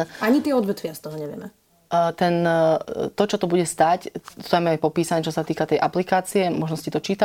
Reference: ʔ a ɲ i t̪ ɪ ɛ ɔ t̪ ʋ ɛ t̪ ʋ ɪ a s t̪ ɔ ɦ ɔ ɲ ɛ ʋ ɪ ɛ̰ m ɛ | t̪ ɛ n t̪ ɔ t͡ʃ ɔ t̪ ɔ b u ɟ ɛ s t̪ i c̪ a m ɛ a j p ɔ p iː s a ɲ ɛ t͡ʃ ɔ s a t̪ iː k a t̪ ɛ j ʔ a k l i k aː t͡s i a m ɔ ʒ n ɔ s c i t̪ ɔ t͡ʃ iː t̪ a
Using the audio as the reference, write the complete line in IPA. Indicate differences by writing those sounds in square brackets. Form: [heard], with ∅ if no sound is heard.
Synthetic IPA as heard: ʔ a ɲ i t̪ ɪ ɛ ɔ [d̪] ʋ ɛ t̪ ʋ ɪ a s t̪ ɔ ɦ ɔ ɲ ɛ ʋ ɪ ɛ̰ m ɛ | t̪ ɛ n t̪ ɔ t͡ʃ ɔ t̪ ɔ b u ɟ ɛ s t̪ [a] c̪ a m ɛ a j p ɔ p iː s a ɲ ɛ t͡ʃ ɔ s a t̪ iː k a t̪ ɛ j ʔ a [p] l i k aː t͡s i [ɛ] m ɔ ʒ n ɔ s c i t̪ ɔ t͡ʃ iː t̪ a